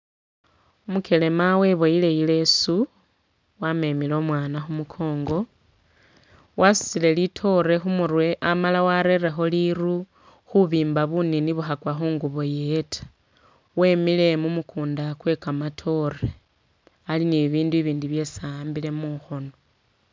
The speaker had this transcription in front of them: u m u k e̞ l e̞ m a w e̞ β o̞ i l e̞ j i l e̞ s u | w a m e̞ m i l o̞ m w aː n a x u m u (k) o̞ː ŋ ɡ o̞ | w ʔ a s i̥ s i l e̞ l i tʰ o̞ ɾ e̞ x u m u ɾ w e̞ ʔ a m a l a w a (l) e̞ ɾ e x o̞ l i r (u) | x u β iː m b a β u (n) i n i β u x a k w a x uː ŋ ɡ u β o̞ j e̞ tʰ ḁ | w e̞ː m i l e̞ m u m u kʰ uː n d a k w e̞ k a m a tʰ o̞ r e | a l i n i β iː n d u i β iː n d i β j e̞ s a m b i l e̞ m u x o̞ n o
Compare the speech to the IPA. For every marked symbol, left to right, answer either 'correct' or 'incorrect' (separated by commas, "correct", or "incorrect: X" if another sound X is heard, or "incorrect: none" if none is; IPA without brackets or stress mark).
incorrect: kʰ, incorrect: ɾ, correct, correct